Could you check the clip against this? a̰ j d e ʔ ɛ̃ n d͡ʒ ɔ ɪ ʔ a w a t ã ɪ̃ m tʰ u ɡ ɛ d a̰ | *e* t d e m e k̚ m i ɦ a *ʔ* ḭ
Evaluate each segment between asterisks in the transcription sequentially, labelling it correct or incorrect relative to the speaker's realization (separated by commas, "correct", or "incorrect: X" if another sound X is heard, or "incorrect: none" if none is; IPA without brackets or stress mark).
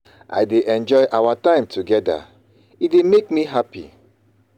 incorrect: i, incorrect: p